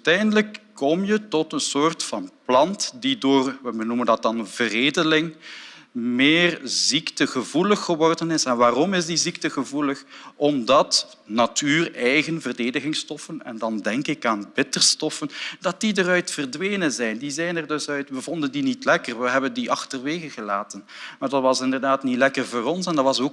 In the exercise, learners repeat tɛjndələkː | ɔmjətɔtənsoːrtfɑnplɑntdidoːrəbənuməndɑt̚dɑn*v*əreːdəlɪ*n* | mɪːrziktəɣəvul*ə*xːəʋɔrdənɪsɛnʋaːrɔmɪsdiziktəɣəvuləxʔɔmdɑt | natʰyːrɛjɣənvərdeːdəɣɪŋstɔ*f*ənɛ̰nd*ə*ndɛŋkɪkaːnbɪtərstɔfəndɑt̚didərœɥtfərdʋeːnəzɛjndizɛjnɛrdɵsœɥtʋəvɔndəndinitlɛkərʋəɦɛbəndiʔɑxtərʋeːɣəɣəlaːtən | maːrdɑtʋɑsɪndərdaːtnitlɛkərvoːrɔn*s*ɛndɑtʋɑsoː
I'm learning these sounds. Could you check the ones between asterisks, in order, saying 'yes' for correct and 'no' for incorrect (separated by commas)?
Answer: yes, no, yes, yes, no, yes